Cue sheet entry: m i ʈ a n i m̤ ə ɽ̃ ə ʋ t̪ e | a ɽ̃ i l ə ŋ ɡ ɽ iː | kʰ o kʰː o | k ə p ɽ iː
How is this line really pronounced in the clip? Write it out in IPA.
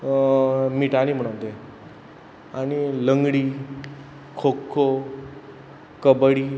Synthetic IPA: m i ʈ a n i m̤ ə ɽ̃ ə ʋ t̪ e | a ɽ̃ i l ə ŋ ɡ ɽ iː | kʰ o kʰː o | k ə b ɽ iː